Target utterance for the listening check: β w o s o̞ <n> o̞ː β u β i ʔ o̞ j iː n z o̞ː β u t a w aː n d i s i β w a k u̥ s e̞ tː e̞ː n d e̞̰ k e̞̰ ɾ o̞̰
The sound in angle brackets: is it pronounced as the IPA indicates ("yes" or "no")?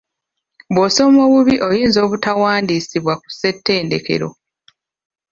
no